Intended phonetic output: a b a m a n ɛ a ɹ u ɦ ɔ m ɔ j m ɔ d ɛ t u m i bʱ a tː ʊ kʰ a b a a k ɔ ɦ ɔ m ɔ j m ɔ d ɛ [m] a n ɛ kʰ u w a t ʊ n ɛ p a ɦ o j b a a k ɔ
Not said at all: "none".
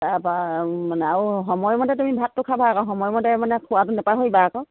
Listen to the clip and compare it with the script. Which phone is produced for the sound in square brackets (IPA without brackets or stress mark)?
m